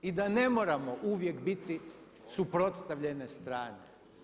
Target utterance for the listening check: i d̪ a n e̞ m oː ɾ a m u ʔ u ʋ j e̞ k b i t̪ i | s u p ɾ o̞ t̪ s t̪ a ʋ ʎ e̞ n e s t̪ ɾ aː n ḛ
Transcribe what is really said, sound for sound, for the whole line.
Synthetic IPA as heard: i d̪ a n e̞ m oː ɾ a m o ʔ u ʋ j e̞ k b i t̪ i | s u p ɾ o̞ t̪ s t̪ a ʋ ʎ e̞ n e s t̪ ɾ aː n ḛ